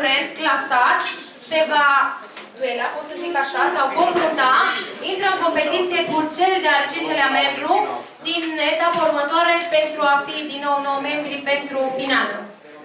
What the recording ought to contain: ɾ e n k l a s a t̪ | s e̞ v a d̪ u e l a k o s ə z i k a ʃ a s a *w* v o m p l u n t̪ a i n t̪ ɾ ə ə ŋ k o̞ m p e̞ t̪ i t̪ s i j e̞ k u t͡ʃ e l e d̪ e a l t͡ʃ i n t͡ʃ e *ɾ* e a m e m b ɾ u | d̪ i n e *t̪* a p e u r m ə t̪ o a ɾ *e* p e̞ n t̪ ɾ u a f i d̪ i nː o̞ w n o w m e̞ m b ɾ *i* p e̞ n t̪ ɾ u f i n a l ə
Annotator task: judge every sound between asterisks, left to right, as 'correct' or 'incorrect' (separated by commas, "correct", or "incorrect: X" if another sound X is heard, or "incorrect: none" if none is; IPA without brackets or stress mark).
correct, incorrect: l, correct, correct, correct